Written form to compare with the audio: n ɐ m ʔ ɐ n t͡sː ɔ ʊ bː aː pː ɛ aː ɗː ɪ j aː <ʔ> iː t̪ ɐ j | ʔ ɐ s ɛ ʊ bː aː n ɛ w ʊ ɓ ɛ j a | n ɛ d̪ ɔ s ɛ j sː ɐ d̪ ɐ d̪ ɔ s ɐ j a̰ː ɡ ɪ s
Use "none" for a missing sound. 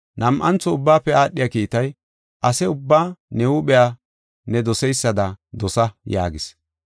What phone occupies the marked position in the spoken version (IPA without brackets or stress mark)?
k